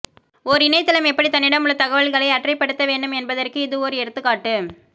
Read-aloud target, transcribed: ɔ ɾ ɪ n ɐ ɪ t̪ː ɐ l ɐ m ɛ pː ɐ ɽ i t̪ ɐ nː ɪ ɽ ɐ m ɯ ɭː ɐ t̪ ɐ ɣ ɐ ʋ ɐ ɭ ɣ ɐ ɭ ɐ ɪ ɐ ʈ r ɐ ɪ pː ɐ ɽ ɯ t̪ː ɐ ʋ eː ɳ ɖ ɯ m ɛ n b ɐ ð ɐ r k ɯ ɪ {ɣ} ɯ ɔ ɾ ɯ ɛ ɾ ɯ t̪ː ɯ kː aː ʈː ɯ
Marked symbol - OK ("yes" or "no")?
no